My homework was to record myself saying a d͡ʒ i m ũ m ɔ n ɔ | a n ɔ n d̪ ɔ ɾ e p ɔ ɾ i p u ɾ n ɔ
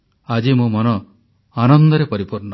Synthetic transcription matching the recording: a d͡ʒ i m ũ m ɔ n ɔ | a n ɔ n d̪ ɔ ɾ e p ɔ ɾ i p u ɾ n ɔ